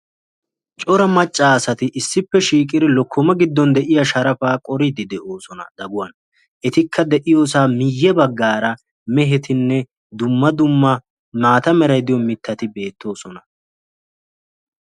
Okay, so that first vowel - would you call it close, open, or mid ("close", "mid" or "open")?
mid